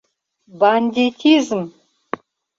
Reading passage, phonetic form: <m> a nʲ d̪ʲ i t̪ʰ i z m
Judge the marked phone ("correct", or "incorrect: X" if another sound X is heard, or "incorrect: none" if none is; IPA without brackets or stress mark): incorrect: b